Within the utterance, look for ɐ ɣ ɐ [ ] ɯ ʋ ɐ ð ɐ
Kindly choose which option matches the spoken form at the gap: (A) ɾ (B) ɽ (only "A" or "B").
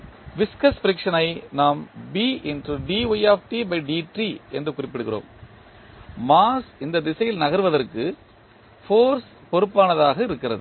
A